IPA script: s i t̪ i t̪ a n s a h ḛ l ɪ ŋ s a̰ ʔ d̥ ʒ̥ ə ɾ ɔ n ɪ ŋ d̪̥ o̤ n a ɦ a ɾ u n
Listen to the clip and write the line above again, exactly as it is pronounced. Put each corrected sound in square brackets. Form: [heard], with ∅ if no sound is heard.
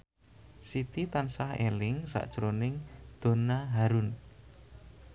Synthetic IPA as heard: s i t̪ i t̪ a n s a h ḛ l ɪ ŋ s a̰ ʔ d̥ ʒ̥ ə ɾ [o] n ɪ ŋ d̪̥ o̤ n a ɦ a ɾ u n